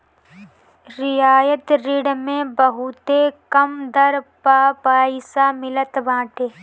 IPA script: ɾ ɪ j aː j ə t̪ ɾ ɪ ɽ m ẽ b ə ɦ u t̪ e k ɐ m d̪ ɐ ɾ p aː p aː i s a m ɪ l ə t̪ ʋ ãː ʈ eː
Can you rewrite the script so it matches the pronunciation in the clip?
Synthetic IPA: ɾ ɪ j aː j ə t̪ ɾ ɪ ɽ m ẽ b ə ɦ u t̪ e k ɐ m d̪ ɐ ɾ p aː p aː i s a m ɪ l ə t̪ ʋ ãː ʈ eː

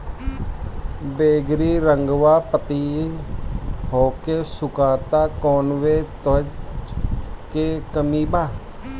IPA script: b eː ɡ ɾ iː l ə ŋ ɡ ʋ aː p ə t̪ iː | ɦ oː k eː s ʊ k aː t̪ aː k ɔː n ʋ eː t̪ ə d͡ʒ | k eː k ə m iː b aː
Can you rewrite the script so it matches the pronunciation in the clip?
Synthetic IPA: b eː ɡ ɾ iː ɾ ə ŋ ɡ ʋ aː p ə t̪ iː | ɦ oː k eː s ʊ k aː t̪ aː k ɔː n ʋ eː t̪ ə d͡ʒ | k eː k ə m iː b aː

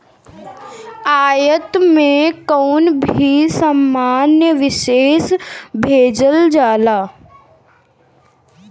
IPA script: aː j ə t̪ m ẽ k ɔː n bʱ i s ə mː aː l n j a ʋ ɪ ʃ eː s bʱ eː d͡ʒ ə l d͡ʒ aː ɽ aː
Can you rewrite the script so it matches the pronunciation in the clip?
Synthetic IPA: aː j ə t̪ m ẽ k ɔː n bʱ i s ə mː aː n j ə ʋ ɪ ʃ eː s bʱ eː d͡ʒ ə l d͡ʒ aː l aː

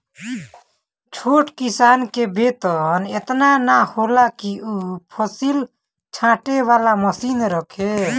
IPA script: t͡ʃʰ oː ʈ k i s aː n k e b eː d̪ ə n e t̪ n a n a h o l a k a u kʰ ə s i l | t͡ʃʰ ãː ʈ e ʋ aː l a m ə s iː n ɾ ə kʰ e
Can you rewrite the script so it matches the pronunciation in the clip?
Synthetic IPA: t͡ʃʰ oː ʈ k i s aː n k e b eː t̪ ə n e t̪ n a n a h o l a k i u pʰ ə s i l | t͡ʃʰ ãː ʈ e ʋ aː l a m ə s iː n ɾ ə kʰ e

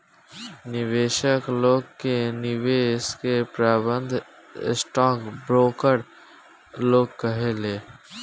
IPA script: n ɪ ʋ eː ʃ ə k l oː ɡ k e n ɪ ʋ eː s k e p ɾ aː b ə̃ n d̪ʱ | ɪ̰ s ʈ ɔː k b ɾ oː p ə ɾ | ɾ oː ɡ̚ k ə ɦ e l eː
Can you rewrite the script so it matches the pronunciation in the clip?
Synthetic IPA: n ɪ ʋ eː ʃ ə k l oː ɡ k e n ɪ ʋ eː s k e p ɾ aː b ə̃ n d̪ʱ | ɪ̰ s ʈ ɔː k b ɾ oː k ə ɾ | l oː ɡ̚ k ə ɦ e l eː

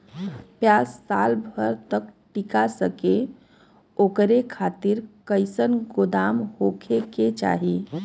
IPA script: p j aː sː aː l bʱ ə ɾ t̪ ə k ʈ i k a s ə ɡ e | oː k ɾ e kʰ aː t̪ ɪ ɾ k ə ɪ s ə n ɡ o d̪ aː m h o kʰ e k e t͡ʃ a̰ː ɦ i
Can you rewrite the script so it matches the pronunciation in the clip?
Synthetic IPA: p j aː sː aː l bʱ ə ɾ t̪ ə k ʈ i k a s ə k e | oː k ɾ e kʰ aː t̪ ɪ ɾ k ə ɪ s ə n ɡ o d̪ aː m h o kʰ e k e t͡ʃ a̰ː ɦ i

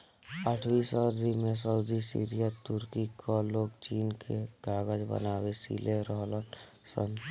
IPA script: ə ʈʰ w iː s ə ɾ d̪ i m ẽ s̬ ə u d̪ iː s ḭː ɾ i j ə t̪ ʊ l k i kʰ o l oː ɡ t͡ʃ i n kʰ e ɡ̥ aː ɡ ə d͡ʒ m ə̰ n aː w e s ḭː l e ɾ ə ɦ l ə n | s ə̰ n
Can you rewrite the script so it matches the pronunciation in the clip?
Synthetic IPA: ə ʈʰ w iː s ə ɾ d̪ i m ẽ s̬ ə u d̪ i s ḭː ɾ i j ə t̪ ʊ ɾ k i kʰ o l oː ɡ t͡ʃ iː n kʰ e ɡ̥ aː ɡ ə d͡ʒ b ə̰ n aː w e s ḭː l e ɾ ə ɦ l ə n | s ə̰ n

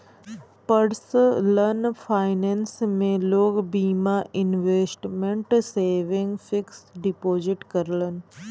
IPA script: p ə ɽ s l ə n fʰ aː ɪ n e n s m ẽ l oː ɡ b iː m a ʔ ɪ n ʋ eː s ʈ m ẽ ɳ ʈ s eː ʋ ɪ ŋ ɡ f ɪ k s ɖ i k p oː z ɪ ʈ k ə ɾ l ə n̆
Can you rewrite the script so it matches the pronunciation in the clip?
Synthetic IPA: p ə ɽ s l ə n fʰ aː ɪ n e n s m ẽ l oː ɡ b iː m a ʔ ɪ n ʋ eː s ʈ m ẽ ɳ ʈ s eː ʋ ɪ ŋ ɡ f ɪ k s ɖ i p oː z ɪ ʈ k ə ɾ l ə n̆

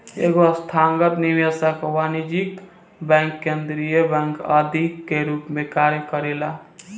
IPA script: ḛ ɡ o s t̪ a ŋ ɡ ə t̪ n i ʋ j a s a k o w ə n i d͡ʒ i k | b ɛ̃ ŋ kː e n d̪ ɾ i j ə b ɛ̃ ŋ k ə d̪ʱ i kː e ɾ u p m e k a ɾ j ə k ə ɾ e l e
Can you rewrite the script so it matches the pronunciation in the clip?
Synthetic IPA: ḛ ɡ o s t̪ʰ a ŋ ɡ ə t̪ n i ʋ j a s a k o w a n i d͡ʒ i k | b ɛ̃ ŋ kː e n d̪ ɾ i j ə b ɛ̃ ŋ k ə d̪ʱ i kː e ɾ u p m e k a ɾ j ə k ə ɾ e l a

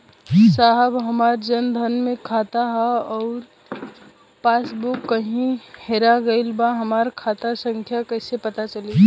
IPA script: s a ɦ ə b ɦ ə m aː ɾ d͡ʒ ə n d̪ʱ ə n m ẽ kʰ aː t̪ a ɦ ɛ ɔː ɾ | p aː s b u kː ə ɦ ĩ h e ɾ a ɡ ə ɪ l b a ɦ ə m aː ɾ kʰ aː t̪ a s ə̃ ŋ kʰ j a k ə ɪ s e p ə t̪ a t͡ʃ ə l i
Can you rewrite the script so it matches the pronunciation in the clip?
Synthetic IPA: s a ɦ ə b ɦ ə m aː ɾ d͡ʒ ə n d̪ʱ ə n m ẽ kʰ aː t̪ a ɦ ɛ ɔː ɾ | p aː s b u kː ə ɦ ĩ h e ɾ a ɡ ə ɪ l b a ɦ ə m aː ɾ kʰ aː t̪ a s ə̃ ŋ kʰ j a k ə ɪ s e p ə t̪ a t͡ʃ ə l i

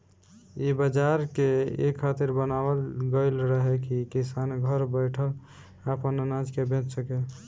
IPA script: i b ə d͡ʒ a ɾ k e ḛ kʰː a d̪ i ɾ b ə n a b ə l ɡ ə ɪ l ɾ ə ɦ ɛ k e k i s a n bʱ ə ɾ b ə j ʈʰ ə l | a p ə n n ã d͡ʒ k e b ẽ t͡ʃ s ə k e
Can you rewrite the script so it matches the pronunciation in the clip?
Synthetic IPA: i b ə d͡ʒ a ɾ k e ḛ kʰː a t̪ i ɾ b ə n a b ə l ɡ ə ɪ l ɾ ə ɦ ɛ k i k i s a n ɡʱ ə ɾ b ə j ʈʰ ə l | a p ə n n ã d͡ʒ k e b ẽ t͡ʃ s ə k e

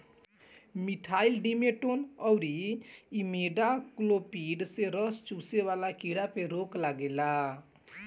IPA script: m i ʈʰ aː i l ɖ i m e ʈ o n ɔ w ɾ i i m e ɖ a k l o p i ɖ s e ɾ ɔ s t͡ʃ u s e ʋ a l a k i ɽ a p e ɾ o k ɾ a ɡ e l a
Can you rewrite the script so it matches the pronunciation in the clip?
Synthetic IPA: m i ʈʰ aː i l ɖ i m e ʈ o n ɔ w ɾ i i m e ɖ a k l o p i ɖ s e ɾ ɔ s t͡ʃ u s e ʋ a l a k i ɽ a p e ɾ o k l a ɡ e l a

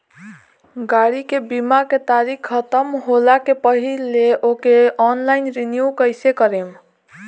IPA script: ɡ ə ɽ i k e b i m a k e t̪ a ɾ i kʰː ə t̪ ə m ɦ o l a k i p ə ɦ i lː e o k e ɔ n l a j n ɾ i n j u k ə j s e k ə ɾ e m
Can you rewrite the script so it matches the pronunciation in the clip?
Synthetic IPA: ɡ a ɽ i k e b i m a k e t̪ a ɾ i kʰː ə t̪ ə m ɦ o l a k e p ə ɦ i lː e o k e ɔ n l a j n ɾ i n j u k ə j s e k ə ɾ e m

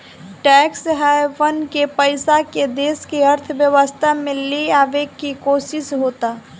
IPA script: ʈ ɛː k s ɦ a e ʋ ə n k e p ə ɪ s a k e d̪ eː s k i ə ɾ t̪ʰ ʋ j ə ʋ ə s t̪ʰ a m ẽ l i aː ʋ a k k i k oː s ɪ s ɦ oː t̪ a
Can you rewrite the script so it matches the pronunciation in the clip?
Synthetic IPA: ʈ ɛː k s ɦ a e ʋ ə n k e p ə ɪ s a k e d̪ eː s k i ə ɾ t̪ʰ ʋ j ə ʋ ə s t̪ʰ a m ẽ l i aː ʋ e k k i k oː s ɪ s ɦ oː t̪ a

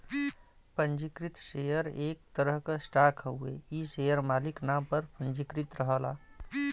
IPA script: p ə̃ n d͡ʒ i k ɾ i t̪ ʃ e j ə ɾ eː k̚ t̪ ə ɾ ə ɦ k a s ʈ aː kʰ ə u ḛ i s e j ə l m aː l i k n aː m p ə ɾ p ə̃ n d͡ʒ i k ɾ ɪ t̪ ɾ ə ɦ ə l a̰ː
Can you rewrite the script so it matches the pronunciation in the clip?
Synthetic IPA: p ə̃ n d͡ʒ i k ɾ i t̪ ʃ e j ə ɾ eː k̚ t̪ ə ɾ ə ɦ k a s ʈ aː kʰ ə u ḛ i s e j ə ɾ m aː l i k n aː m p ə ɾ p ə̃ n d͡ʒ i k ɾ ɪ t̪ ɾ ə ɦ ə l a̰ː

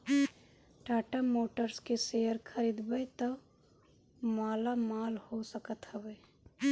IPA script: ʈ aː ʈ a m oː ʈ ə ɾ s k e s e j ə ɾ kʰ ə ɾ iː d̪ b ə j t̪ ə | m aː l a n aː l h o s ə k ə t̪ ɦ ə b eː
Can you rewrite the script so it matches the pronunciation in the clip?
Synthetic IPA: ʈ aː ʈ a m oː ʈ ə ɾ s k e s e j ə ɾ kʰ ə ɾ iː d̪ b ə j t̪ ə | m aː l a m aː l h o s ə k ə t̪ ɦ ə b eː

